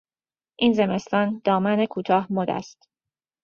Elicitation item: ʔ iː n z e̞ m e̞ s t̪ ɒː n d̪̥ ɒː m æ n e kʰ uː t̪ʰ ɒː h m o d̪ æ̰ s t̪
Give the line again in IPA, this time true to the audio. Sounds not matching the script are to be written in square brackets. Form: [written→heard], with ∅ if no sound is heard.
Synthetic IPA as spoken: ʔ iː n z e̞ m e̞ s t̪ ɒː n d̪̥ ɒː m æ n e kʰ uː t̪ʰ ɒː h m o d̪ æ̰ s t̪